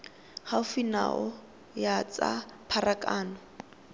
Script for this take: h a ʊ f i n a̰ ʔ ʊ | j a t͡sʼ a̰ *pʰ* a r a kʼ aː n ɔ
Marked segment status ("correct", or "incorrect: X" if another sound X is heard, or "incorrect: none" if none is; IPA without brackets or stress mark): correct